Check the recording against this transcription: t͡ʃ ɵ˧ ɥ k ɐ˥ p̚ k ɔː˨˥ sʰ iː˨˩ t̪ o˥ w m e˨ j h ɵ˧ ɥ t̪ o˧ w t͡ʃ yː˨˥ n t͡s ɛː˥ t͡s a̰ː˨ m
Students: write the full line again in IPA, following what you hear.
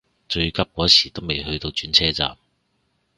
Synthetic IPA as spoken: t͡ʃ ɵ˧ ɥ k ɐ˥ p̚ k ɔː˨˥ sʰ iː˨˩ t̪ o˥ w m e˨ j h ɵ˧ ɥ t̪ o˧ w t͡ʃ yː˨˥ n t͡sʰ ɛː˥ t͡s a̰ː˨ m